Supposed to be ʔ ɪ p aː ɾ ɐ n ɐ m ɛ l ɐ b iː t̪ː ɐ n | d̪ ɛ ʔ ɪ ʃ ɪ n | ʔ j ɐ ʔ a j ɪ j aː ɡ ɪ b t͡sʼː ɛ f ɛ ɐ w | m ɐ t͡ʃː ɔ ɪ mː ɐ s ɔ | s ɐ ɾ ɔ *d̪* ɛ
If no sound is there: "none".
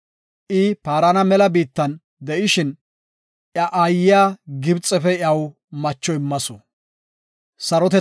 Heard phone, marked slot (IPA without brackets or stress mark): t̪